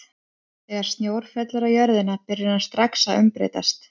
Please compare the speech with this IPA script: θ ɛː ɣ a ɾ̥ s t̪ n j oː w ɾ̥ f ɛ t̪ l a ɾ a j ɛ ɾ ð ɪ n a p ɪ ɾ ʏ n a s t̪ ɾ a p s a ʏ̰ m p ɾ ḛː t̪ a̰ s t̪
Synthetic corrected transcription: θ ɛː ɣ a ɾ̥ s t̪ n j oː w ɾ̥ f ɛ t̪ l a ɾ a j œ ɾ ð ɪ n a p ɪ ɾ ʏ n a s t̪ ɾ a k s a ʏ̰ m p ɾ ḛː t̪ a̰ s t̪